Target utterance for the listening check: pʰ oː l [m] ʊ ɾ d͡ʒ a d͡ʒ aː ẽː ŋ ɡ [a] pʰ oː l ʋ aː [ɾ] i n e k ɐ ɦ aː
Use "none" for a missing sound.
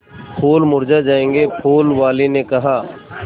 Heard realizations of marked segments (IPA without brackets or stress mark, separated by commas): m, e, l